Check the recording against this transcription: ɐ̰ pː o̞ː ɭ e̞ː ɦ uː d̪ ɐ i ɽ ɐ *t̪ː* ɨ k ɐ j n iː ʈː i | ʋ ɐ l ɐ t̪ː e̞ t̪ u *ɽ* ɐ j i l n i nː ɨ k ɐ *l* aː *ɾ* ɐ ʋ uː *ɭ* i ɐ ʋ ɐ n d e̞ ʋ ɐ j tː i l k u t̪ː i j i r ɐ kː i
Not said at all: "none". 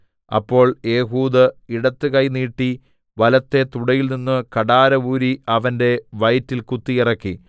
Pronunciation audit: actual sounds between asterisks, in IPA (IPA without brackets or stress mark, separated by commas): t̪ː, ɽ, ɽ, ɾ, ɾ